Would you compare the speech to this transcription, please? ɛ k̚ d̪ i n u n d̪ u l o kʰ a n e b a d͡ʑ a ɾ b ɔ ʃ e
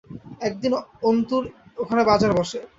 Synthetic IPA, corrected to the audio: ɛ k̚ d̪ i n o n t̪ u ɾ o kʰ a n e b a d͡ʑ a ɾ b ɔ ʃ e